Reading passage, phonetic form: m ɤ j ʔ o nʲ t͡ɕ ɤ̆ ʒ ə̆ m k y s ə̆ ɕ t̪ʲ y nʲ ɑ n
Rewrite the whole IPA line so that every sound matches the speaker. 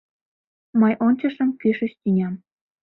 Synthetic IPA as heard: m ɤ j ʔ o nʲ t͡ɕ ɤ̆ ʃ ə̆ m k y ʃ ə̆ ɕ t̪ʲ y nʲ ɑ m